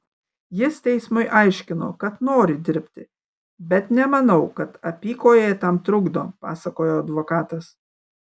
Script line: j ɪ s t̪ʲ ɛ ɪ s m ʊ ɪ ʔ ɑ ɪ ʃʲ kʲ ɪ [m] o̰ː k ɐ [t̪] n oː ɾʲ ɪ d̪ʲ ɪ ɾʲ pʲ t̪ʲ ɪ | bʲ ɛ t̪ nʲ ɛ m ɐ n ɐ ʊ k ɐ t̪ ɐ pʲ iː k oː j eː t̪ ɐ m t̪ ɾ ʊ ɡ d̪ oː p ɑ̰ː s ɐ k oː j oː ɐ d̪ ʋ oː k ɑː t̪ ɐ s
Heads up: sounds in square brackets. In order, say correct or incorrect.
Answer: incorrect: n, correct

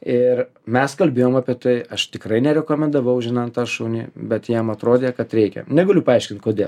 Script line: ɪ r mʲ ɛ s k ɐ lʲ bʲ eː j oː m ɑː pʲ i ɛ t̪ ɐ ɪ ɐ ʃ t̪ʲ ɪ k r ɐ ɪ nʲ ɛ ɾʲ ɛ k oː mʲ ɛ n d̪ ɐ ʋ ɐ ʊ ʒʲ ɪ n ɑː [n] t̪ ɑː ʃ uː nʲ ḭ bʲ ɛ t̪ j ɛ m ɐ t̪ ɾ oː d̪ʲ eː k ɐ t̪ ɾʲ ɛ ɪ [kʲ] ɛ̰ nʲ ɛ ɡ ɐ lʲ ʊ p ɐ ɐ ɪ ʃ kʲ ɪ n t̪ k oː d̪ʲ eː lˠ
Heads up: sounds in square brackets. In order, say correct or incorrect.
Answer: correct, correct

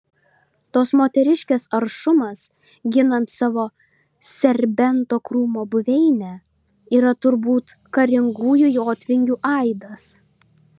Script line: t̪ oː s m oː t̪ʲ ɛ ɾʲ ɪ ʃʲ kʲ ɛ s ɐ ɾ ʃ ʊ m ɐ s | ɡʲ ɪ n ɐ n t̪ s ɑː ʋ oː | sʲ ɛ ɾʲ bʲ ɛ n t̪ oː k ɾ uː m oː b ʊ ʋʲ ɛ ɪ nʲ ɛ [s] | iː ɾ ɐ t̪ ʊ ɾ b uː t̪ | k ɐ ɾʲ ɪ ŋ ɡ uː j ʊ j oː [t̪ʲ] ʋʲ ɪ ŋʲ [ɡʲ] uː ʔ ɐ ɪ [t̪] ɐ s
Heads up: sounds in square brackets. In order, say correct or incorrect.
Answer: incorrect: none, correct, correct, incorrect: d̪

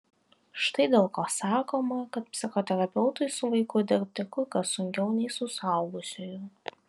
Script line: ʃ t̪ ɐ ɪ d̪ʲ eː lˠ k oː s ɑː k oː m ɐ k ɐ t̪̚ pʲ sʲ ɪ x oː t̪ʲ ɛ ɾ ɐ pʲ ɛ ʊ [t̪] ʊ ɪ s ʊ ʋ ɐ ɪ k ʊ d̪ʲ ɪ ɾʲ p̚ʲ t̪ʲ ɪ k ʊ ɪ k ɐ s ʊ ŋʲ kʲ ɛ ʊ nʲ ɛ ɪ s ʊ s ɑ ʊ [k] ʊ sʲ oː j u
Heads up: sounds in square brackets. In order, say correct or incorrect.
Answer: correct, incorrect: ɡ

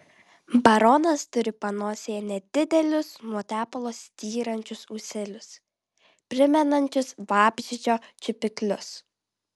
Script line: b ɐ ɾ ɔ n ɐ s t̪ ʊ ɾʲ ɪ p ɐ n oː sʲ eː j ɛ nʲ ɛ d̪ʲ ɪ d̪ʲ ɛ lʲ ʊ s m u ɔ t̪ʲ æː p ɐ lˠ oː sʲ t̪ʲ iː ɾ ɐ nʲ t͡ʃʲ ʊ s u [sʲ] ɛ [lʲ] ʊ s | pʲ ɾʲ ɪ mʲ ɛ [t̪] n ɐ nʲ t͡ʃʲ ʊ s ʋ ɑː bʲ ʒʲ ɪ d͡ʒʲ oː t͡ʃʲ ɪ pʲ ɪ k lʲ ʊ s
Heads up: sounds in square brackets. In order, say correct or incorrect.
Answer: correct, correct, incorrect: none

